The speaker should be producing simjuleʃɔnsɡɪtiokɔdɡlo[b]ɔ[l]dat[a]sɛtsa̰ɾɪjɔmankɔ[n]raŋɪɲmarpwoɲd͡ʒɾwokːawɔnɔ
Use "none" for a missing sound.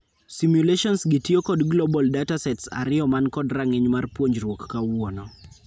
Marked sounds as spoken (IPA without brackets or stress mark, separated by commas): b, l, a, d